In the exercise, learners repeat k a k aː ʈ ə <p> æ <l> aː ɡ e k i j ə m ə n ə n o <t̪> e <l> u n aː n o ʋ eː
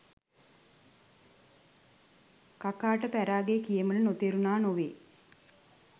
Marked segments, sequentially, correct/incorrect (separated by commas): correct, incorrect, correct, incorrect